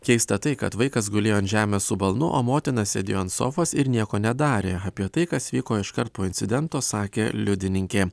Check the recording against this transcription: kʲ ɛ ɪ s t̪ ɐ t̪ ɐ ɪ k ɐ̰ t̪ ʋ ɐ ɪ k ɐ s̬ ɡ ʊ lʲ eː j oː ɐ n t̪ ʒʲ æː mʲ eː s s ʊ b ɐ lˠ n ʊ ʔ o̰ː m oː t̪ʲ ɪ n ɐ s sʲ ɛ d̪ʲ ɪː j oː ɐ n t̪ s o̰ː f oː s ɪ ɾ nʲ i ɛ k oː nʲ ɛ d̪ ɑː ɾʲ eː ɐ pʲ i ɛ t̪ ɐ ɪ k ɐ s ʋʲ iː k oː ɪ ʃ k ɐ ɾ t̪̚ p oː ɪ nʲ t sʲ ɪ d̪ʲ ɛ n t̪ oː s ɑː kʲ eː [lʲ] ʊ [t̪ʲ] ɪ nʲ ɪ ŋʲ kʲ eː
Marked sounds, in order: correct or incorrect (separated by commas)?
correct, incorrect